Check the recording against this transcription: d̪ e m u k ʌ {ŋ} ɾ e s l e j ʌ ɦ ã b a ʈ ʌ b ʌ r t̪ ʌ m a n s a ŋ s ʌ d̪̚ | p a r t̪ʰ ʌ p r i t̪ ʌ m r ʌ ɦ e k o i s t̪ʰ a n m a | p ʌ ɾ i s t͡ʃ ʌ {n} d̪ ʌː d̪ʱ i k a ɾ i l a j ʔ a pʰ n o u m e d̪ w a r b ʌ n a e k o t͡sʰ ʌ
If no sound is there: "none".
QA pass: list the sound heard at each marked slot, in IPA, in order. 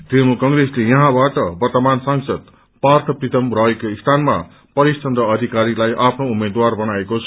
ŋ, n

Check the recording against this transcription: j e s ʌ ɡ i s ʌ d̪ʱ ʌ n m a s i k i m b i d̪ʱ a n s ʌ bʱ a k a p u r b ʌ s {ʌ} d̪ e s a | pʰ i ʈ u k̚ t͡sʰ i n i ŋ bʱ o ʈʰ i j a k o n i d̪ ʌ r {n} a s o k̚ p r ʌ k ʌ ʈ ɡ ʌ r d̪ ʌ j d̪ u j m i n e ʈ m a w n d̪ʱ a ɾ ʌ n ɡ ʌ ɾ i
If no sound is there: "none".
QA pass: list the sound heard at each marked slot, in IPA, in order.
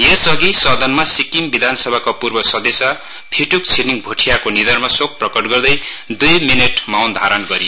ʌ, m

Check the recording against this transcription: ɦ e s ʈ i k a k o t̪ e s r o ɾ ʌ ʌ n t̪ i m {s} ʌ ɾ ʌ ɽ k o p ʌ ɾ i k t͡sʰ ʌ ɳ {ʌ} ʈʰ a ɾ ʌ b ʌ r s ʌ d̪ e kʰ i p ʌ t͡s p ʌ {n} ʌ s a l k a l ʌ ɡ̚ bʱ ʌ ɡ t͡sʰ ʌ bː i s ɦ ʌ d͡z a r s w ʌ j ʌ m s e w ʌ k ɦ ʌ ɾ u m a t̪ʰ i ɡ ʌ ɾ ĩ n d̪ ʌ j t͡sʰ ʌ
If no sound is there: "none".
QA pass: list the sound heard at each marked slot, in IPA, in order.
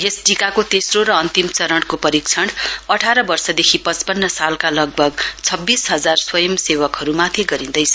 t͡s, ʌ, nː

